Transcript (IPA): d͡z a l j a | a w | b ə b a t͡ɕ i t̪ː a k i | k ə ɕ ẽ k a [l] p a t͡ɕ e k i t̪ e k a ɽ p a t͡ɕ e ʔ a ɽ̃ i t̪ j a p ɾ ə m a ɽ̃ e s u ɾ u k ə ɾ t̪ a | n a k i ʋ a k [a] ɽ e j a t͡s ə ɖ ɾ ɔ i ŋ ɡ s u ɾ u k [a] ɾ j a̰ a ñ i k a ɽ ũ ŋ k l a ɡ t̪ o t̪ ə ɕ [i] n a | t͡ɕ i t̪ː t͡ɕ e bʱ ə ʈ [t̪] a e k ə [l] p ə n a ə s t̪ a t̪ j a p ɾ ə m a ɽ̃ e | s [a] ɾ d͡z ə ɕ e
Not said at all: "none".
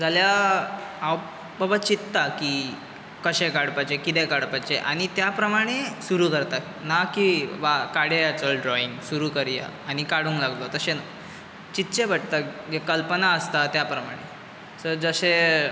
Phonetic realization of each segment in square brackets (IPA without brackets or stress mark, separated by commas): ɽ, a, ə, e, t̪, l, ə